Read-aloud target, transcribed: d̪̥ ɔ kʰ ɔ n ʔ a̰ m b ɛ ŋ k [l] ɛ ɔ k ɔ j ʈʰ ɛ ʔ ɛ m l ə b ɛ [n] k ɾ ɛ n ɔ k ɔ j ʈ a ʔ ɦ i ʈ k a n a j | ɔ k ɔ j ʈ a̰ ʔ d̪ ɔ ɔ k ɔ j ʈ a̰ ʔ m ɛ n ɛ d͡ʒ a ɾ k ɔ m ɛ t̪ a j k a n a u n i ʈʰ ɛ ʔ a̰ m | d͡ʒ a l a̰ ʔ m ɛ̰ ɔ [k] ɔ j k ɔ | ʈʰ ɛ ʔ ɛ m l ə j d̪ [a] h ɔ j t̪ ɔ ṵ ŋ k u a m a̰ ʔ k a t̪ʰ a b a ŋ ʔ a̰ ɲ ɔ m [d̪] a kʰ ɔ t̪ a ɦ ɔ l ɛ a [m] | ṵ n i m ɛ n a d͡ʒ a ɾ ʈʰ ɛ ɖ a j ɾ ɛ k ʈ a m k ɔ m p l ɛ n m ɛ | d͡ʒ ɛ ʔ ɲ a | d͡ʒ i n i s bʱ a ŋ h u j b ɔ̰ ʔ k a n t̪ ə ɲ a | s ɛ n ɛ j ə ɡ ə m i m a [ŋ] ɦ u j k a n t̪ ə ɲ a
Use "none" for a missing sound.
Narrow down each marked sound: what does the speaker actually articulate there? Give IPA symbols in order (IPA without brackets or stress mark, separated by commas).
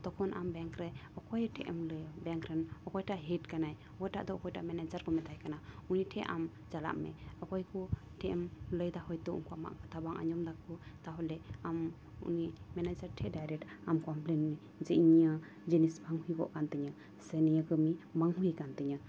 ɾ, ŋ, k, a, d̪, m, ŋ